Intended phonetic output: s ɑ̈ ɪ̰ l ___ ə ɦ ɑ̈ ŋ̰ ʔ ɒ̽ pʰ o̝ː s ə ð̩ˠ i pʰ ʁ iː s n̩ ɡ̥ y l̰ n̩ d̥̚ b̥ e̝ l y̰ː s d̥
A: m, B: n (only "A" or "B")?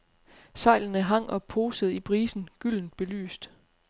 B